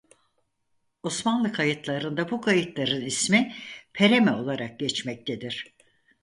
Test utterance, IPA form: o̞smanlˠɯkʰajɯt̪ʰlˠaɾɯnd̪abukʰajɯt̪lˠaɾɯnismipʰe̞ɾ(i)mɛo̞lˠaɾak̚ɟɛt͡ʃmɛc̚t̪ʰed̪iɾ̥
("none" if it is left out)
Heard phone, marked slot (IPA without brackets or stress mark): e